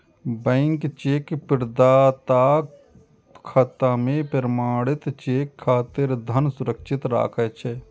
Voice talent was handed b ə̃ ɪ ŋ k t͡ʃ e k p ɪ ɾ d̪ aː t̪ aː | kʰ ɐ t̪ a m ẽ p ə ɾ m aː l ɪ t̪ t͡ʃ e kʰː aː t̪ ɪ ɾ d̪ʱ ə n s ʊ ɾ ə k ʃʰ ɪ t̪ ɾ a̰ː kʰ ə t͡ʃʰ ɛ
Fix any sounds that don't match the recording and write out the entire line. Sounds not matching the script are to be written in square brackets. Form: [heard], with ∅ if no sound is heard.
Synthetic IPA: b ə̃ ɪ ŋ k t͡ʃ e k p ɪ ɾ d̪ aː t̪ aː | kʰ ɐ t̪ a m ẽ p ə ɾ m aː [ɽ] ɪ t̪ t͡ʃ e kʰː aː t̪ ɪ ɾ d̪ʱ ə n s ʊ ɾ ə k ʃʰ ɪ t̪ ɾ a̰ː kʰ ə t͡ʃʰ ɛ